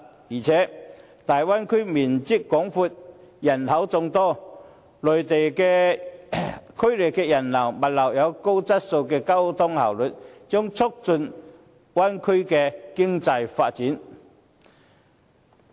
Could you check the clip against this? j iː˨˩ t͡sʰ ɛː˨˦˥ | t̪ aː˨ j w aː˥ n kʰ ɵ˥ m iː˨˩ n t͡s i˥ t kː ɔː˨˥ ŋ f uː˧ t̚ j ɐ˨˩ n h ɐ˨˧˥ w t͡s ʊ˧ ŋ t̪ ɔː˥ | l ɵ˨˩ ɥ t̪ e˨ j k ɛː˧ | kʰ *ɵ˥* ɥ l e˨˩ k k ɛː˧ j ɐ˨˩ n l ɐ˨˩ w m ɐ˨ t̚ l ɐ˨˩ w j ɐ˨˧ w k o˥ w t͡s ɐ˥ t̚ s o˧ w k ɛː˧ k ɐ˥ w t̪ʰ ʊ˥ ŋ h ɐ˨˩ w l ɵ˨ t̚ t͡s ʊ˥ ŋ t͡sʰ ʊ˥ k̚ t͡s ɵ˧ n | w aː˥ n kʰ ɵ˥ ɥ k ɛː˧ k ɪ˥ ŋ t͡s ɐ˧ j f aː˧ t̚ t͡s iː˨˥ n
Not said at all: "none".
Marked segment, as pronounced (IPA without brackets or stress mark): ɵ˥